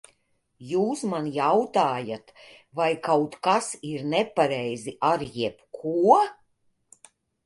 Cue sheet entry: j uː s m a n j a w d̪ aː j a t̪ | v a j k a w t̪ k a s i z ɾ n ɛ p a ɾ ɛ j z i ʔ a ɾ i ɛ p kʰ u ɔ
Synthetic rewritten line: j uː s m a n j a w t̪ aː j a t̪ | v a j k a w t̪ k a s i ɾ n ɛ p a ɾ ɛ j z i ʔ a ɾ j ɛ p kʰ u ɔ